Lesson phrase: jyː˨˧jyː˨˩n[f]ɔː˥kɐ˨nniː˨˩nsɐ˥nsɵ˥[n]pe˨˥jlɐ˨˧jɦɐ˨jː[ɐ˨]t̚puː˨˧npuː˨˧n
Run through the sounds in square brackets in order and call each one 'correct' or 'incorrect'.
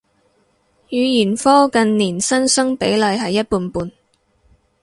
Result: correct, incorrect: ŋ, incorrect: ɐ˥

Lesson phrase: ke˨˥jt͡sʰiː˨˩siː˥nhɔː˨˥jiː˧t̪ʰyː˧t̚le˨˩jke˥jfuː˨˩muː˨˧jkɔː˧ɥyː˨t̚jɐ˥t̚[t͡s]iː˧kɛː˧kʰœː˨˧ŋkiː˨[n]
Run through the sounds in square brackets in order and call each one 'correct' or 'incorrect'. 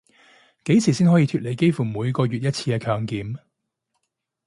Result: incorrect: t͡sʰ, incorrect: m

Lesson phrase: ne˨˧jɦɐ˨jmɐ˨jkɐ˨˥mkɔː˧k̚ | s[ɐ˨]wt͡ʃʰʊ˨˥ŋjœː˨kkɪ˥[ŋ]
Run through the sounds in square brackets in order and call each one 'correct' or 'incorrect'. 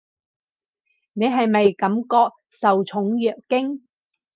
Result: correct, correct

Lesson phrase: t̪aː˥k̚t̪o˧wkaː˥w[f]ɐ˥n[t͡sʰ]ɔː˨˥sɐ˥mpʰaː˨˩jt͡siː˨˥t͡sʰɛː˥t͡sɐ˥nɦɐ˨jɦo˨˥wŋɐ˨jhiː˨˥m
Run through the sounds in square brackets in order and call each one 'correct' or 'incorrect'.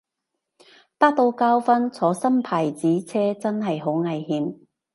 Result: correct, correct

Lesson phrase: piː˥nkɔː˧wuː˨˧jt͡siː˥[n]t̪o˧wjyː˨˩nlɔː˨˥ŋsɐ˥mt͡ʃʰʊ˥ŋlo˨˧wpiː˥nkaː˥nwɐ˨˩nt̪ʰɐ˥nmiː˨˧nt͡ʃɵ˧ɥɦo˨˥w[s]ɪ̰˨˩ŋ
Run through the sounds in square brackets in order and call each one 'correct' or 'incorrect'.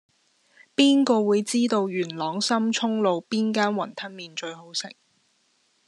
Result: incorrect: none, correct

